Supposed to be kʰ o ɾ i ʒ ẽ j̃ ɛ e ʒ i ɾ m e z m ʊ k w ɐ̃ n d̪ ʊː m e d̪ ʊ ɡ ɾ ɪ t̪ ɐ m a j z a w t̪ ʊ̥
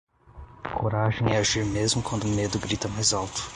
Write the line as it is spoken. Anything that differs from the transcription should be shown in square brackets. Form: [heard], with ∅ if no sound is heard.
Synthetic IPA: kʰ o ɾ [a] ʒ ẽ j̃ ɛ [a] ʒ i ɾ m e z m ʊ k w ɐ̃ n d̪ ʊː m e d̪ ʊ ɡ ɾ [i] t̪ ɐ m a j z a w t̪ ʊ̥